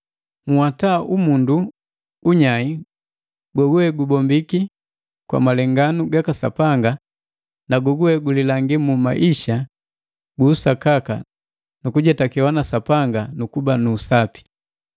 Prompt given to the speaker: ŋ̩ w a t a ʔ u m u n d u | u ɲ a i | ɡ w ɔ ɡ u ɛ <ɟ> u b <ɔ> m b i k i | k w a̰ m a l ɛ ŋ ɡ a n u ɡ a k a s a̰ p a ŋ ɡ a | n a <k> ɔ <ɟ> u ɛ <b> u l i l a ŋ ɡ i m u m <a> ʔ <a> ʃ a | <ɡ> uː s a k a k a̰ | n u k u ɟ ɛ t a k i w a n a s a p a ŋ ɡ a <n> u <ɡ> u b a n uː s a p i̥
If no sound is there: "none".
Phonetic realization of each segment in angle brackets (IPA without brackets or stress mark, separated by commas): ɡ, ɔ, ɡ, ɡ, ɡ, a, i, ɡ, n, k